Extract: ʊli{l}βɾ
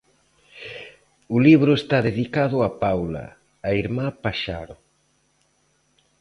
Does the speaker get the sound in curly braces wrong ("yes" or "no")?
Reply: yes